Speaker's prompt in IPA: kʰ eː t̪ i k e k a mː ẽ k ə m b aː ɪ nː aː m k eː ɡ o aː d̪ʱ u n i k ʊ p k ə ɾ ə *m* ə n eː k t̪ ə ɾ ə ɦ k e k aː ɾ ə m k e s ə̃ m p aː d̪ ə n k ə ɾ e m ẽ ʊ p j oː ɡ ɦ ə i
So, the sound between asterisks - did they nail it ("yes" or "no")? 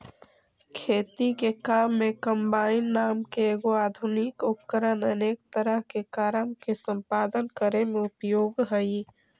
no